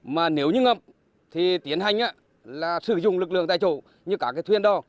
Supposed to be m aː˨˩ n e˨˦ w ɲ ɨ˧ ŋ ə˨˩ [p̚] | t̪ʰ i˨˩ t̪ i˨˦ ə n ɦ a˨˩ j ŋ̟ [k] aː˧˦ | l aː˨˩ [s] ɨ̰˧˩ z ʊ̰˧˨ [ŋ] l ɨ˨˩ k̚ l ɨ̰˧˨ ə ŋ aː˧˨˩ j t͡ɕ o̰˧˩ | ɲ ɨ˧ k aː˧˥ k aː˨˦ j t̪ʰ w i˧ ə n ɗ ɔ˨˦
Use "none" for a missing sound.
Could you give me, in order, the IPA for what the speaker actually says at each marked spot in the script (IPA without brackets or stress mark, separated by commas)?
p̚, ʔ, s, ŋ͡m